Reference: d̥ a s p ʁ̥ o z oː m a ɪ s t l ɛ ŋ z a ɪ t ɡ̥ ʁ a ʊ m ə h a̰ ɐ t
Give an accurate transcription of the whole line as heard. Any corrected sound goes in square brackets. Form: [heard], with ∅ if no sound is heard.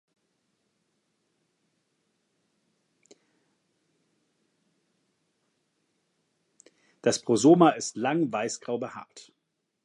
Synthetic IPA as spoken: d̥ a s p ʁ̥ o z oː m a ɪ s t l [a] ŋ [v] a ɪ [s] ɡ̥ ʁ a ʊ [b] ə h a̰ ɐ t